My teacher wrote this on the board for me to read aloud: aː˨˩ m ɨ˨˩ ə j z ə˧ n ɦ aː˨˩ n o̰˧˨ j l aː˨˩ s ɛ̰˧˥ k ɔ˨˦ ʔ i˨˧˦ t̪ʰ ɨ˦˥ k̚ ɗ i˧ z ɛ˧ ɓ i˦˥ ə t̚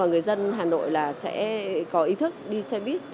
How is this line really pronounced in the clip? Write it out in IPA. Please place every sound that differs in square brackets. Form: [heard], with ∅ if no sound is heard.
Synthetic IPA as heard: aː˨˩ [ŋ] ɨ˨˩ ə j z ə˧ n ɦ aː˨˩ n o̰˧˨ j l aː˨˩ s ɛ̰˧˥ k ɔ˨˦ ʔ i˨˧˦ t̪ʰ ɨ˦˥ k̚ ɗ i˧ [s] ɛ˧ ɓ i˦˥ ə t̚